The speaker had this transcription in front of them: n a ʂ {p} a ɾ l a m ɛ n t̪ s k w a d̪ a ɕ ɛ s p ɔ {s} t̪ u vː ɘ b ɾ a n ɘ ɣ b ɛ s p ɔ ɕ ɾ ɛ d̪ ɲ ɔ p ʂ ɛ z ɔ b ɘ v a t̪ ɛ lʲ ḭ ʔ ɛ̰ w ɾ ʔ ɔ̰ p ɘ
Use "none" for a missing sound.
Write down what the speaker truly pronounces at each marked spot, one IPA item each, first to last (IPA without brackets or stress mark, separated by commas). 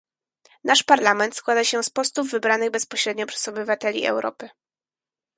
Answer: p, s